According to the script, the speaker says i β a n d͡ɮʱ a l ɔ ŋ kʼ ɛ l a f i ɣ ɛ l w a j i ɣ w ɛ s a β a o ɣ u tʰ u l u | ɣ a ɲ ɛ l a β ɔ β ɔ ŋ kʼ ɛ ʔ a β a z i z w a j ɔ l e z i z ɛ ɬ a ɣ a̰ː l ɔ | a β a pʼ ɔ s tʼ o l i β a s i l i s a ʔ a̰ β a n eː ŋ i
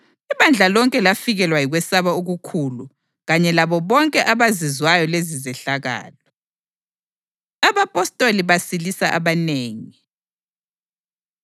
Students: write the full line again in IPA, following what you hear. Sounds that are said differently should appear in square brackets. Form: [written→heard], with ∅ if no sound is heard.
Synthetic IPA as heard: i β a n d͡ɮʱ a l ɔ ŋ kʼ ɛ l a f i ɣ ɛ l w a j i ɣ w ɛ s a β a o ɣ u [tʰ→kʰ] u l u | ɣ a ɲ ɛ l a β ɔ β ɔ ŋ kʼ ɛ ʔ a β a z i z w a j ɔ l e z i z ɛ ɬ a ɣ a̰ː l ɔ | a β a pʼ ɔ s tʼ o l i β a s i l i s a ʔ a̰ β a n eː ŋ i

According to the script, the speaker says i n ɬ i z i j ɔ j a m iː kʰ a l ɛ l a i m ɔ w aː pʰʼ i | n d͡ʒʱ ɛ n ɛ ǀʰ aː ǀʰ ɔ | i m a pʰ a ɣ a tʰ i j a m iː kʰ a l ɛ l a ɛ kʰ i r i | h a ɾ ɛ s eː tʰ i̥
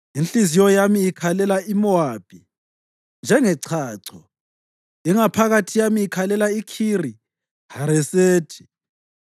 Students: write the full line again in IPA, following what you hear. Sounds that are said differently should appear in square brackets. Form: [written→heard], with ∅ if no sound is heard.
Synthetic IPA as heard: i n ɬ i z i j ɔ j a m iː kʰ a l ɛ l a i m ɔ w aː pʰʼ i | n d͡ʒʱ ɛ [n→ŋ] ɛ ǀʰ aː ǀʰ ɔ | i [m→ŋ] a pʰ a ɣ a tʰ i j a m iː kʰ a l ɛ l a [ɛ→i] kʰ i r i | h a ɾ ɛ s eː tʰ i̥

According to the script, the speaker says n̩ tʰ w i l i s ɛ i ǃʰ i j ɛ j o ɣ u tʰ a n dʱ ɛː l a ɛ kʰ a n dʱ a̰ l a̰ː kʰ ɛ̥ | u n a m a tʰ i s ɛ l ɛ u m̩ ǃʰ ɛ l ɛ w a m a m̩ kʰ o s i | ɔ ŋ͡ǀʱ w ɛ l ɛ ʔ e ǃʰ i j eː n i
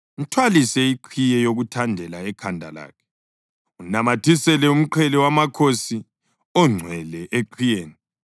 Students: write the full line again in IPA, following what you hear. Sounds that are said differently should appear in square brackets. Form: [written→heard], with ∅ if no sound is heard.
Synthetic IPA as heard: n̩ tʰ w [i→a] l i s ɛ i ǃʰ i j ɛ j o ɣ u tʰ a n dʱ [ɛː→ɛ] l a ɛ kʰ a n dʱ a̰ l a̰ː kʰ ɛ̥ | u n a m a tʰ i s ɛ l ɛ u m̩ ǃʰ ɛ l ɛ w a m a [m̩→∅] kʰ o s i | ɔ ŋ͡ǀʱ w ɛ l ɛ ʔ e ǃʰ i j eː n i

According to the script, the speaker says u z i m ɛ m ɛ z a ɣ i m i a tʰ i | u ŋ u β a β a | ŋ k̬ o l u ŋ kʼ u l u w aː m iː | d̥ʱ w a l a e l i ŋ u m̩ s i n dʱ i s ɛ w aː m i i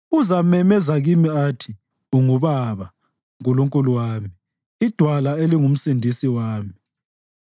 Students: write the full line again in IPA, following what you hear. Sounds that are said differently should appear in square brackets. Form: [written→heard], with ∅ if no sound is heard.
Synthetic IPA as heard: u z [i→a] m ɛ m ɛ z a ɣ i m i a tʰ i | u ŋ u β a β a | ŋ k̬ [o→u] l u ŋ kʼ u l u w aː m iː | d̥ʱ w a l a e l i ŋ u m̩ s i n dʱ i s [ɛ→i] w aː m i i

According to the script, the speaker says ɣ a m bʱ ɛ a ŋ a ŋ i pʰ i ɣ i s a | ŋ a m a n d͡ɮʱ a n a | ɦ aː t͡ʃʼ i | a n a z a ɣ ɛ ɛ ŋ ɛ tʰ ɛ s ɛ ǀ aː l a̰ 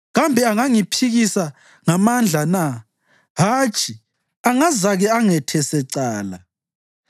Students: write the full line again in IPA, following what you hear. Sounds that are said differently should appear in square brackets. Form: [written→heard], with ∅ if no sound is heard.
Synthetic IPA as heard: ɣ a m bʱ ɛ a ŋ a ŋ i pʰ i ɣ i s a | ŋ a m a n d͡ɮʱ a n a | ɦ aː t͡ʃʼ i | a [n→ŋ] a z a ɣ ɛ [ɛ→a] ŋ ɛ tʰ ɛ s ɛ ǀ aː l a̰

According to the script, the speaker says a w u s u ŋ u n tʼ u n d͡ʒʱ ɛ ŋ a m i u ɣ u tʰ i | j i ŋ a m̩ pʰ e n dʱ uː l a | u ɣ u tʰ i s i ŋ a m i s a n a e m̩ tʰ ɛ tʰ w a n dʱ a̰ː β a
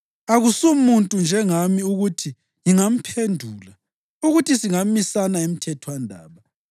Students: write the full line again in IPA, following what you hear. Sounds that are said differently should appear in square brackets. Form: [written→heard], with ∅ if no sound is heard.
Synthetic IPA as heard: a [w→ɣ] u s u [ŋ→m] u n tʼ u n d͡ʒʱ ɛ ŋ a m i u ɣ u tʰ i | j i ŋ a m̩ pʰ e n dʱ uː l a | u ɣ u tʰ i s i ŋ a m i s a n a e m̩ tʰ ɛ tʰ w a n dʱ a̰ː β a

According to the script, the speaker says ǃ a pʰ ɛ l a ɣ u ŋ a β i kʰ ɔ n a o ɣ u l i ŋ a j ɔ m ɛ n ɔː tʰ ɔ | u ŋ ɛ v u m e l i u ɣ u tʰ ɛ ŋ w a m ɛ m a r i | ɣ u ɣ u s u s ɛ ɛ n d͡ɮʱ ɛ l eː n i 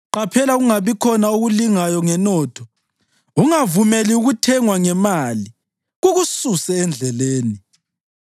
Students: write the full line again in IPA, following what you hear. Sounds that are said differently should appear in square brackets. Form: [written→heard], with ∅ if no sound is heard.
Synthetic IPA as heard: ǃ a pʰ ɛ l a ɣ u ŋ a β i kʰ ɔ n a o ɣ u l i ŋ a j ɔ [m→ŋ] ɛ n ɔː tʰ ɔ | u ŋ [ɛ→a] v u m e l i u ɣ u tʰ ɛ ŋ w a [m→ŋ] ɛ m a [r→l] i | ɣ u ɣ u s u s ɛ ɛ n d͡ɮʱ ɛ l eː n i

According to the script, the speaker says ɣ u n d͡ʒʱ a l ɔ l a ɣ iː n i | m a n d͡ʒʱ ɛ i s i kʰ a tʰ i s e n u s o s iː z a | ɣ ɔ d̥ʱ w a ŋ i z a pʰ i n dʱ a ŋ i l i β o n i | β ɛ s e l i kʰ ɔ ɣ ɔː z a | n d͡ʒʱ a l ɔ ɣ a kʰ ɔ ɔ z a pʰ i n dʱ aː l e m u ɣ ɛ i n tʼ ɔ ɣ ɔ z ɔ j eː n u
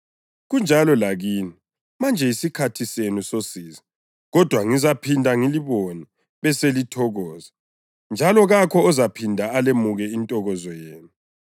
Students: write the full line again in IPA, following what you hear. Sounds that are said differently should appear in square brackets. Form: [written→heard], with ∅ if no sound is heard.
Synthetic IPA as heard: ɣ u n d͡ʒʱ a l ɔ l a ɣ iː n i | m a n d͡ʒʱ ɛ i s i kʰ a tʰ i s e n u s o s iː z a | ɣ ɔ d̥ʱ w a ŋ i z a pʰ i n dʱ a ŋ i l i β o n i | β ɛ s e l i [kʰ→tʰ] ɔ ɣ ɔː z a | n d͡ʒʱ a l ɔ ɣ a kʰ ɔ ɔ z a pʰ i n dʱ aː l e m u ɣ ɛ i n tʼ ɔ ɣ ɔ z ɔ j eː n u

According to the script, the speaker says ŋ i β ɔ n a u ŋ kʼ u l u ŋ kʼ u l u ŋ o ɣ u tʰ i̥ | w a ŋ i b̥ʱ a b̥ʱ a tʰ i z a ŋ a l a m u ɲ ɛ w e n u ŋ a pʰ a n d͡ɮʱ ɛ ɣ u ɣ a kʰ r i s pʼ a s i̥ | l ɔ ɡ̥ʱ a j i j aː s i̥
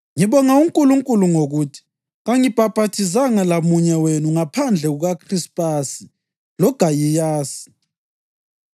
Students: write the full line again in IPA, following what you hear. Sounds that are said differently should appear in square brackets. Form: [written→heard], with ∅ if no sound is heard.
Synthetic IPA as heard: ŋ i β ɔ [n→ŋ] a u ŋ kʼ u l u ŋ kʼ u l u ŋ o ɣ u tʰ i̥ | [w→ɣ] a ŋ i b̥ʱ a b̥ʱ a tʰ i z a ŋ a l a m u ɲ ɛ w e n u ŋ a pʰ a n d͡ɮʱ ɛ ɣ u ɣ a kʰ r i s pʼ a s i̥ | l ɔ ɡ̥ʱ a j i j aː s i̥

